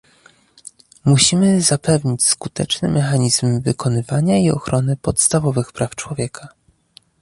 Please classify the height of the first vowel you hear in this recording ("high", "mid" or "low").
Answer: high